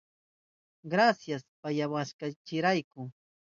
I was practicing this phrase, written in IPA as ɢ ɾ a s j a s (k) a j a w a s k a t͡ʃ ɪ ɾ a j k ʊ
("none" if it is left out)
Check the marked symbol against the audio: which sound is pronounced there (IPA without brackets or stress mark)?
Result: p